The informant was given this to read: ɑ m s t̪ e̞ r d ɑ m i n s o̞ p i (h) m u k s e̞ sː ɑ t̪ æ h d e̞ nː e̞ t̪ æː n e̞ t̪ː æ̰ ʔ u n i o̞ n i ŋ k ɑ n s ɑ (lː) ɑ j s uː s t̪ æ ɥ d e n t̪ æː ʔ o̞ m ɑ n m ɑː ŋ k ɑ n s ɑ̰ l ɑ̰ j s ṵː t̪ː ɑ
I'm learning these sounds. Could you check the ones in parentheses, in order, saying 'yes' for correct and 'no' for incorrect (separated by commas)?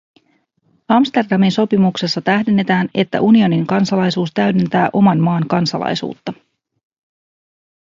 no, no